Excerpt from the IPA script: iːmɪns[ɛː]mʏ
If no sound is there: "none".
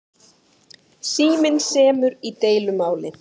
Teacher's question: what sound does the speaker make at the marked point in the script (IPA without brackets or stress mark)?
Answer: ɛː